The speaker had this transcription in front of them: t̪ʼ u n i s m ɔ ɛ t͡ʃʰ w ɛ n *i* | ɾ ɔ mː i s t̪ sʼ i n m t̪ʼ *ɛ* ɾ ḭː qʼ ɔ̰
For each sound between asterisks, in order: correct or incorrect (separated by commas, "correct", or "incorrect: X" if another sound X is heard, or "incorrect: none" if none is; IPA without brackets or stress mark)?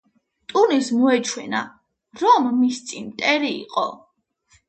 incorrect: a, correct